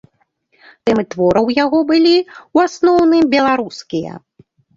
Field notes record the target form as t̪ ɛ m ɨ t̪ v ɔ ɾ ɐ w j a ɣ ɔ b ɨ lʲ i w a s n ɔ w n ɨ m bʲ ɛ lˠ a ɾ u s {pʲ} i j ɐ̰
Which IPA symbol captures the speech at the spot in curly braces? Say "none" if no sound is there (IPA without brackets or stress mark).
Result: kʲ